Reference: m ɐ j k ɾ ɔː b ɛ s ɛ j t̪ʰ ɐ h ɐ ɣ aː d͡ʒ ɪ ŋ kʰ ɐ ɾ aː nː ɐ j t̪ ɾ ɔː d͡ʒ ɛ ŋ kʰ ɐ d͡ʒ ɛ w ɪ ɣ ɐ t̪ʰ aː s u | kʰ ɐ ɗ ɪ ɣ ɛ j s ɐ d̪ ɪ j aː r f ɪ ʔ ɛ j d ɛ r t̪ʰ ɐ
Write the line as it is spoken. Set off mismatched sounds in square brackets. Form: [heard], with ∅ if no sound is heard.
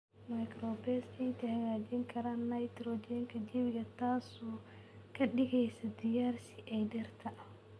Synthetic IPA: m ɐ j k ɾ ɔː b ɛ s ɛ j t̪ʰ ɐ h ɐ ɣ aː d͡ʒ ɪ ŋ kʰ ɐ ɾ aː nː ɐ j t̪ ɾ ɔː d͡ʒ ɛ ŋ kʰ ɐ d͡ʒ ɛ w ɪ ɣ ɐ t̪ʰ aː s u | kʰ ɐ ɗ ɪ ɣ ɛ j s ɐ d̪ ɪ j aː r [s] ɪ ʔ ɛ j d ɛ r t̪ʰ ɐ